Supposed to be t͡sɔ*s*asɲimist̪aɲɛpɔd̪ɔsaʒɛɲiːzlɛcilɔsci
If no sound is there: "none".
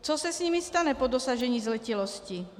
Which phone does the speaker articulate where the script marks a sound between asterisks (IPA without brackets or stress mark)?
s